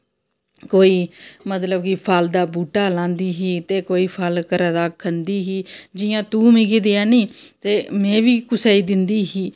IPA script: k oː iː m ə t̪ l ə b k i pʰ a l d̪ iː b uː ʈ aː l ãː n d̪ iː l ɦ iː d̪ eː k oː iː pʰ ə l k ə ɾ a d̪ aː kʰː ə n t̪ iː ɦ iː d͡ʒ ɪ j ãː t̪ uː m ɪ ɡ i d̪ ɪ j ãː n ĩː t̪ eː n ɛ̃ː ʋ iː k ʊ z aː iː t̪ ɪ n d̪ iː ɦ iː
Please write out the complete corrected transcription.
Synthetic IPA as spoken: k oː iː m ə t̪ l ə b k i pʰ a l d̪ aː b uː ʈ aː l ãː n d̪ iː ɦ iː t̪ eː k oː iː pʰ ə l k ə ɾ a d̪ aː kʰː ə n d̪ iː ɦ iː d͡ʒ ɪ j ãː t̪ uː m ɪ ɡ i d̪ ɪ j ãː n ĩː t̪ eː m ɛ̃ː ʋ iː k ʊ s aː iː d̪ ɪ n d̪ iː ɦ iː